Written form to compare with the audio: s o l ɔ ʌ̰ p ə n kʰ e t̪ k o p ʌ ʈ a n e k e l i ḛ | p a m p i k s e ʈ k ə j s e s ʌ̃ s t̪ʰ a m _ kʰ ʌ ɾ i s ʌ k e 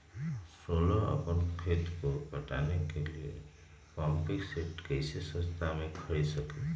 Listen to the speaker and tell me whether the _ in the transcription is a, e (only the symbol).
e